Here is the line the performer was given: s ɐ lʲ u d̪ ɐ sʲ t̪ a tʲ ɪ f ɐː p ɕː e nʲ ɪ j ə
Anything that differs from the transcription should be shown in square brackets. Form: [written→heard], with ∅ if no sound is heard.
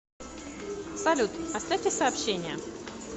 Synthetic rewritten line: s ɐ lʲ u [d̪→t̪] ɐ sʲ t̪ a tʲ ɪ [f→s] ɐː p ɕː e nʲ ɪ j ə